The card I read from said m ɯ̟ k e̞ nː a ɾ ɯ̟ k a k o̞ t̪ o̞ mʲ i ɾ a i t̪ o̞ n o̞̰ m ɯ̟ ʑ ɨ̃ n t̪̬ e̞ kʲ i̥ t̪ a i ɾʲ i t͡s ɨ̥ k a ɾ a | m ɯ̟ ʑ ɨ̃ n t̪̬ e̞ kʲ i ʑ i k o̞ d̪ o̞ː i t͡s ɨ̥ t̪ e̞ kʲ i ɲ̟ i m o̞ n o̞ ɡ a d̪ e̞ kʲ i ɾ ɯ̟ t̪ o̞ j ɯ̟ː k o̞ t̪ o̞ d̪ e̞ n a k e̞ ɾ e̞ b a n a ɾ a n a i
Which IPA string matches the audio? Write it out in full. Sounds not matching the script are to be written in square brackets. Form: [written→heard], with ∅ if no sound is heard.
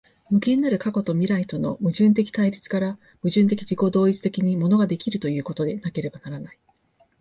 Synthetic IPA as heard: m ɯ̟ k e̞ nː a ɾ ɯ̟ k a k o̞ t̪ o̞ mʲ i ɾ a i t̪ o̞ n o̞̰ m ɯ̟ ʑ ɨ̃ n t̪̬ e̞ kʲ i̥ t̪ a i ɾʲ i t͡s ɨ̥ k a ɾ a | m ɯ̟ ʑ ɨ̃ n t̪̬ e̞ kʲ i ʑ i k o̞ d̪ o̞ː i t͡s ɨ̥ t̪ e̞ kʲ i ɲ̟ i m o̞ n o̞ ɡ a d̪ e̞ kʲ i ɾ ɯ̟ t̪ o̞ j ɯ̟ː k o̞ t̪ o̞ d̪ e̞ n a k e̞ ɾ e̞ b a n a ɾ a n a i